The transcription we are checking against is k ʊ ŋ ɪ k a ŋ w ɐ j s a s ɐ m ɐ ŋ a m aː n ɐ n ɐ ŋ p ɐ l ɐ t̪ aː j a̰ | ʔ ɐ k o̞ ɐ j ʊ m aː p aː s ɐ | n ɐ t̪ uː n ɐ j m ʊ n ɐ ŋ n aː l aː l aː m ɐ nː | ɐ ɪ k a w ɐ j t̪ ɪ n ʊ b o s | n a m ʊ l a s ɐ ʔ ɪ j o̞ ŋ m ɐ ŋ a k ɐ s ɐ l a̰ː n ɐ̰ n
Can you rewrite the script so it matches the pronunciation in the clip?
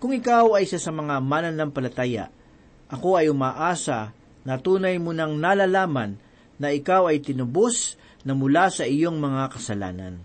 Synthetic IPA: k ʊ ŋ ɪ k a w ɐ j s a s ɐ m ɐ ŋ a m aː n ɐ n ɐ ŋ p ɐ l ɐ t̪ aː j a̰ | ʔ ɐ k o̞ ɐ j ʊ m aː ʔ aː s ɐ | n ɐ t̪ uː n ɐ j m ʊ n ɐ ŋ n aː l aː l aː m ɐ nː | ɐ ɪ k a w ɐ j t̪ ɪ n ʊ b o s | n ɐ m ʊ l a s ɐ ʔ ɪ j o̞ ŋ m ɐ ŋ a k ɐ s ɐ l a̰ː n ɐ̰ n